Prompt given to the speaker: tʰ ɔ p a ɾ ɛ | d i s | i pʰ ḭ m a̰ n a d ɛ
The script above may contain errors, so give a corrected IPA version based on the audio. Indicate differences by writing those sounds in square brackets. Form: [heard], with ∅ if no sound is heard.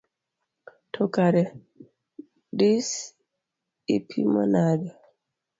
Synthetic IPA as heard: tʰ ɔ [k] a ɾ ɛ | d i s | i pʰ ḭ m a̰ n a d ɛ